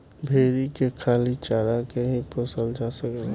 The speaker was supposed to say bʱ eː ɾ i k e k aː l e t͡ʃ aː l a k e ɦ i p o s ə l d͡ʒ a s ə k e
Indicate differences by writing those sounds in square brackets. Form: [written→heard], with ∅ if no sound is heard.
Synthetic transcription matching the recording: bʱ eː ɾ i k e [k→kʰ] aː l [e→i] t͡ʃ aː [l→ɾ] a k e ɦ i p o s ə l d͡ʒ a s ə k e